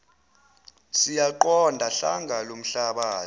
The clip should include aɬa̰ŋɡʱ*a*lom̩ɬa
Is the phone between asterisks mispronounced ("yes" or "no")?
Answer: no